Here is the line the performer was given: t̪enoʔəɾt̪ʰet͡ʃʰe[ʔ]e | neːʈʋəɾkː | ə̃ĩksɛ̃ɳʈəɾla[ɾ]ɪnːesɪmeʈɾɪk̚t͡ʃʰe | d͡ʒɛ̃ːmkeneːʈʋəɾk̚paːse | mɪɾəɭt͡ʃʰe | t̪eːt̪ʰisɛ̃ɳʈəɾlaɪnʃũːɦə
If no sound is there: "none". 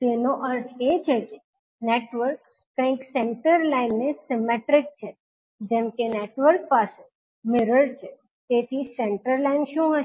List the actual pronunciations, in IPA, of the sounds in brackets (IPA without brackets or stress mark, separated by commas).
k, none